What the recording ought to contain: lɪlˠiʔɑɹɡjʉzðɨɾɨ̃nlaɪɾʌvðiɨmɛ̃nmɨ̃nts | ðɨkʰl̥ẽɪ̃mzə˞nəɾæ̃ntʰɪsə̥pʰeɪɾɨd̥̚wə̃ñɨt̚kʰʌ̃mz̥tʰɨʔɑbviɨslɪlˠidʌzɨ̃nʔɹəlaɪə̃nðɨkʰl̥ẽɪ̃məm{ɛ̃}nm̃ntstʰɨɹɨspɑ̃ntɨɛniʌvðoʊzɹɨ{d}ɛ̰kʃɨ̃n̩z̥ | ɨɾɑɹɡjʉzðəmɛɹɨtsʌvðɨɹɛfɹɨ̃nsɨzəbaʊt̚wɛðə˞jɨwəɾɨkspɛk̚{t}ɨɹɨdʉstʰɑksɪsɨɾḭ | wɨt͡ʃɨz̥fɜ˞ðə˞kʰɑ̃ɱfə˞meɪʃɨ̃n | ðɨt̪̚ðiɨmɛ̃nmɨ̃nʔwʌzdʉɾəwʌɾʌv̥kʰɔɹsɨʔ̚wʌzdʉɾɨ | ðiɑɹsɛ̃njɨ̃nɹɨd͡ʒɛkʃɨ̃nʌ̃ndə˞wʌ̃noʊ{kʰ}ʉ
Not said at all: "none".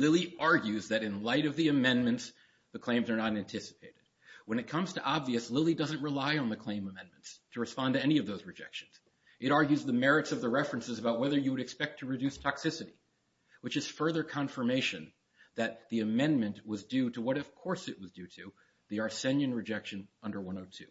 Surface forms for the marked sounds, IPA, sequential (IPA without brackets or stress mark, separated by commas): ɛ̃, d͡ʒ, tʰ, tʰ